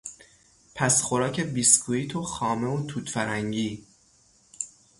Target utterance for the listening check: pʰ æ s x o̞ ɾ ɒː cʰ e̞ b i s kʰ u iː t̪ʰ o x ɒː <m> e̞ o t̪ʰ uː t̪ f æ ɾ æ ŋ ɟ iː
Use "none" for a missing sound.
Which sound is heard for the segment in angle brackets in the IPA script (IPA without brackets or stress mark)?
m